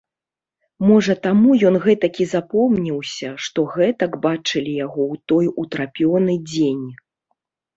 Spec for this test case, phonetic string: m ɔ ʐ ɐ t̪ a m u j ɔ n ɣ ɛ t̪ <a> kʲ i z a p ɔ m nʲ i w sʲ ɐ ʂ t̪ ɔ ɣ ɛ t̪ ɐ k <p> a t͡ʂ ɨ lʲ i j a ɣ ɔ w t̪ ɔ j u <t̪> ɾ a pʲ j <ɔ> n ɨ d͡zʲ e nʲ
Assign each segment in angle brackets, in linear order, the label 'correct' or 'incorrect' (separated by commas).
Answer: incorrect, incorrect, correct, correct